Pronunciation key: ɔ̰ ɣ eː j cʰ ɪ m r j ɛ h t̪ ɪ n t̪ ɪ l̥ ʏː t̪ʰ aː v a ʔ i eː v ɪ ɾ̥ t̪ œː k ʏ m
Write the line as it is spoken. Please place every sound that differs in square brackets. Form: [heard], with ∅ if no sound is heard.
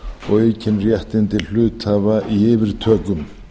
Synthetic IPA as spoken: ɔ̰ ɣ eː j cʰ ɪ [n] r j ɛ h t̪ ɪ n t̪ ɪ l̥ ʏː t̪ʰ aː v a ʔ i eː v ɪ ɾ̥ [t̪ʰ] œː k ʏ m